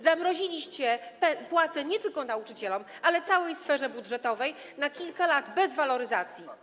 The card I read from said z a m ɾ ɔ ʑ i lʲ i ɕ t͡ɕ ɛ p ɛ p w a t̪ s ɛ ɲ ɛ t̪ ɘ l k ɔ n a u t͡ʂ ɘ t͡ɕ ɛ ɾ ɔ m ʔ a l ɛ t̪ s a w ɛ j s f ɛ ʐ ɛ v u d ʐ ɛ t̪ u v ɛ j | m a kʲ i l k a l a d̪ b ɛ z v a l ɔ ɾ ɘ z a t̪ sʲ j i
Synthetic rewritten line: z a m ɾ ɔ ʑ i lʲ i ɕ t͡ɕ ɛ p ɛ p w a t̪ s ɛ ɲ ɛ t̪ ɘ l k ɔ n a u t͡ʂ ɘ t͡ɕ ɛ l ɔ m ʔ a l ɛ t̪ s a w ɛ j s f ɛ ʐ ɛ b u d ʐ ɛ t̪ ɔ v ɛ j | n a kʲ i l k a l a d̪ b ɛ z v a l ɔ ɾ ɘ z a t̪ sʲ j i